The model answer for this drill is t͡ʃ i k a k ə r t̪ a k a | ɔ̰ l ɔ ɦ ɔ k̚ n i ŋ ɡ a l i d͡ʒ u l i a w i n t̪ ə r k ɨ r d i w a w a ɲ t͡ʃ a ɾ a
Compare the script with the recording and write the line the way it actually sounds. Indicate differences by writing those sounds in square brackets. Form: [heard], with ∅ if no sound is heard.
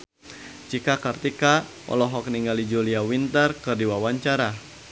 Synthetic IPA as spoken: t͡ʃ i k a k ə r t̪ [i] k a | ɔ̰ l ɔ ɦ ɔ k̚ n i ŋ ɡ a l i d͡ʒ u l i a w i n t̪ ə r k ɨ r d i w a w a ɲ t͡ʃ a ɾ a